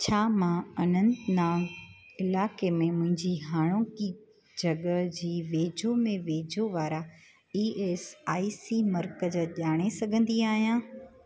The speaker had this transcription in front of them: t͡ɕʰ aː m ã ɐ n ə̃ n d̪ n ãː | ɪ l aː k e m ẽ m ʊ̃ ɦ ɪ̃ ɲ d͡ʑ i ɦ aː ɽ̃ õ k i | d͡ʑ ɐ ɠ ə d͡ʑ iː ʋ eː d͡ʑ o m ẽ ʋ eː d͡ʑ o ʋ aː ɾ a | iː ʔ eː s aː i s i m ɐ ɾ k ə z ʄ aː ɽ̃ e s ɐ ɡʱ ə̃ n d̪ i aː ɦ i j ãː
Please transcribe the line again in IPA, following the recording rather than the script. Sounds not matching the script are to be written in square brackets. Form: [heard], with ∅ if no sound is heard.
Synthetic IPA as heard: t͡ɕʰ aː m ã ɐ n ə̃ n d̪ n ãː | ɪ l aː k e m ẽ m ʊ̃ ɦ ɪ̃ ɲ d͡ʑ i ɦ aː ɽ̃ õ k i | d͡ʑ ɐ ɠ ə d͡ʑ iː ʋ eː d͡ʑ o m ẽ ʋ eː d͡ʑ o ʋ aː ɾ a | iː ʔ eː s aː i s i m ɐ ɾ k ə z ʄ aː ɽ̃ e s ɐ ɡʱ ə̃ n d̪ i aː ɦ i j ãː

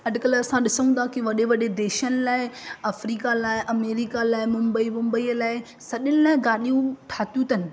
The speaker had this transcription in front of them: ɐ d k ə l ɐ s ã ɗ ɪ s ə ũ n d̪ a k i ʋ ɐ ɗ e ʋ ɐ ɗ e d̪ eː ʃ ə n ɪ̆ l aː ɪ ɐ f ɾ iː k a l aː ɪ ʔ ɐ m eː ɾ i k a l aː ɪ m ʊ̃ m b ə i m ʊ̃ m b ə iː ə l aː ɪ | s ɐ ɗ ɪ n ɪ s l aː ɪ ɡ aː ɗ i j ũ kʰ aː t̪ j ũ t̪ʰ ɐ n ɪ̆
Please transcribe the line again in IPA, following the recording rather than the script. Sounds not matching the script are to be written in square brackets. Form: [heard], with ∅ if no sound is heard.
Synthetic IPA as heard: ɐ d k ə l ɐ s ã ɗ ɪ s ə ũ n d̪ a k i ʋ ɐ ɗ e ʋ ɐ ɗ e d̪ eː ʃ ə n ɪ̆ l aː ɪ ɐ f ɾ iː k a l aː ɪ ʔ ɐ m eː ɾ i k a l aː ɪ m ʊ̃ m b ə i m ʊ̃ m b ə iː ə l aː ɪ | s ɐ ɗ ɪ n ɪ [∅] l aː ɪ ɡ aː ɗ i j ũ [ʈʰ] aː t̪ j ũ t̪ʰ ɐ n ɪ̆

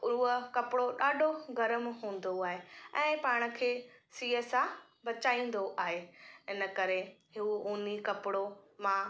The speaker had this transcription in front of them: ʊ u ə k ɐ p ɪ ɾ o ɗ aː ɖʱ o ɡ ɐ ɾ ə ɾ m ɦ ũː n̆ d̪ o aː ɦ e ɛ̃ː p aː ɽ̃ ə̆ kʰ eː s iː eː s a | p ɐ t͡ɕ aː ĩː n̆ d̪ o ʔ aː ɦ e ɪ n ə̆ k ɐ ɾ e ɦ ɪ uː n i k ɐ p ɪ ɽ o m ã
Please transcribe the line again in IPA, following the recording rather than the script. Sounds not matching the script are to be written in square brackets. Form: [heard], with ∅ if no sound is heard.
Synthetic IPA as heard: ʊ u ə k ɐ p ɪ [ɽ] o ɗ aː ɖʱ o ɡ ɐ ɾ ə [∅] m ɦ ũː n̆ d̪ o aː ɦ e ɛ̃ː p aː ɽ̃ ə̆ kʰ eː s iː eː s a | [b] ɐ t͡ɕ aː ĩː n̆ d̪ o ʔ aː ɦ e ɪ n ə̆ k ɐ ɾ e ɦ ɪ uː n i k ɐ p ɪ ɽ o m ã

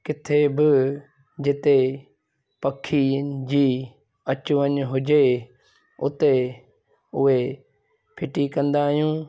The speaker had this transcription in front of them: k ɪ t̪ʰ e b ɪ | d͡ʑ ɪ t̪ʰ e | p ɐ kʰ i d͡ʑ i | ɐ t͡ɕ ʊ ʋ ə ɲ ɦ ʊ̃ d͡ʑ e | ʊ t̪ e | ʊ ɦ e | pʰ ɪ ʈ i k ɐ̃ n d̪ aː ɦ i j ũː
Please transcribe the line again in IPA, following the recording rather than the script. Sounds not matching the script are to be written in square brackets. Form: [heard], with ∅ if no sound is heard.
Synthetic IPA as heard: k ɪ t̪ʰ e b ɪ | d͡ʑ ɪ [t̪] e | p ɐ kʰ i d͡ʑ [iː] | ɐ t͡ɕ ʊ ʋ ə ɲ ɦ [ʊ] d͡ʑ e | ʊ t̪ e | ʊ ɦ e | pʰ ɪ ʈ i k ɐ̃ n d̪ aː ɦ i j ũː

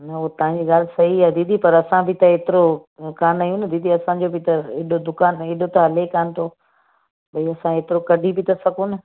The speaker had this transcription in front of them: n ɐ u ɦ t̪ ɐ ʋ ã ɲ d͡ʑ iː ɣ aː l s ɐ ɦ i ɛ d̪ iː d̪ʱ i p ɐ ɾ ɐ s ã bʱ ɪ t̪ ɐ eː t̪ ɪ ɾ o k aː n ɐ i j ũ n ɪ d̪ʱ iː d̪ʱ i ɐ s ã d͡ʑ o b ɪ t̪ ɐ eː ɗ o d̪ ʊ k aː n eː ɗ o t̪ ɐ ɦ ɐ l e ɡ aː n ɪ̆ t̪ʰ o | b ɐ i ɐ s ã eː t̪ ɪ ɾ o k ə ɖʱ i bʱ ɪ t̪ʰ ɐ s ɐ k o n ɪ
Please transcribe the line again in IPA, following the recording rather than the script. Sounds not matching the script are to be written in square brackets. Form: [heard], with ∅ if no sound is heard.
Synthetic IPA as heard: n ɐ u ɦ t̪ ɐ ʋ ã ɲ d͡ʑ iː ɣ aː l s ɐ ɦ i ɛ d̪ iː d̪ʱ i p ɐ ɾ ɐ s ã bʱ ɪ t̪ ɐ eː t̪ ɪ ɾ o k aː n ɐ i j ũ n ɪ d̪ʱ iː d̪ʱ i ɐ s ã d͡ʑ o b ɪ t̪ ɐ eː ɗ o d̪ ʊ k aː n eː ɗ o t̪ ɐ ɦ ɐ l e [k] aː n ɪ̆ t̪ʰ o | b ɐ i ɐ s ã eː t̪ ɪ ɾ o k [ɐ] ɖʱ i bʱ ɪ [t̪] ɐ s ɐ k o n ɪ

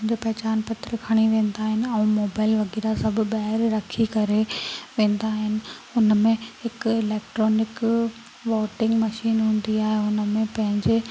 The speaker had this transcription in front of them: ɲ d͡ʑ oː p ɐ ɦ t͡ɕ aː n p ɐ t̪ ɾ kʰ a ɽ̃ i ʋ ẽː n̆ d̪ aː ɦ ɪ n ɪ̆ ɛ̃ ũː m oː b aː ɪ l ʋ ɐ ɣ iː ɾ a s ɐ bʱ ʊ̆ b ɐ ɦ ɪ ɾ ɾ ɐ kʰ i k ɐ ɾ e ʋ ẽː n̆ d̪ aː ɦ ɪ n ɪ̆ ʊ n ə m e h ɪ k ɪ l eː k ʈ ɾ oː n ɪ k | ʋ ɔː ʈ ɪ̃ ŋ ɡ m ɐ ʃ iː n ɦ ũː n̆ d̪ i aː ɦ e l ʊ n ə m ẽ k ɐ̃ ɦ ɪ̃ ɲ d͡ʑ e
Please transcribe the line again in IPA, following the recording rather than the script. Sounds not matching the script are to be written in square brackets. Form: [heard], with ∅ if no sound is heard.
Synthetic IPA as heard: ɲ d͡ʑ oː p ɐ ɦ t͡ɕ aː n p ɐ t̪ ɾ kʰ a ɽ̃ i ʋ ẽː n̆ d̪ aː ɦ ɪ n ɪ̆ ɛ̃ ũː m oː b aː ɪ l ʋ ɐ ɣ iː ɾ a s ɐ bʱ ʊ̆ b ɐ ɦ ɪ ɾ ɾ ɐ kʰ i k ɐ ɾ e ʋ ẽː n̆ d̪ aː ɦ ɪ n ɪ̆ ʊ n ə m [ẽ] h ɪ k ɪ l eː k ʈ ɾ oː n ɪ k | ʋ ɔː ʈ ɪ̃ ŋ ɡ m ɐ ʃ iː n ɦ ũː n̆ d̪ i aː ɦ e [∅] ʊ n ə m ẽ [p] ɐ̃ ɦ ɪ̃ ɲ d͡ʑ e

